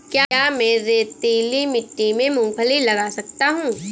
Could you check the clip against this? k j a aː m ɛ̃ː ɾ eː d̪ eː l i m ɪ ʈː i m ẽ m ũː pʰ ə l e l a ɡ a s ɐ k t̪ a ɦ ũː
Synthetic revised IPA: k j a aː m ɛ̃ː ɾ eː t̪ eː l i m ɪ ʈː i m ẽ m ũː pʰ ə l i l ɐ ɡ a s ɐ k t̪ a ɦ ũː